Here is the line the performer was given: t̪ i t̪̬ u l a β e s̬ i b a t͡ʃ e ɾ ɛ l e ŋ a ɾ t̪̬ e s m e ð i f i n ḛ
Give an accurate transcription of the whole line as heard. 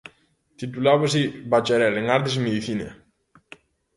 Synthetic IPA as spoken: t̪ i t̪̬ u l a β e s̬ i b a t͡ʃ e ɾ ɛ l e ŋ a ɾ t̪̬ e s m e ð i θ i n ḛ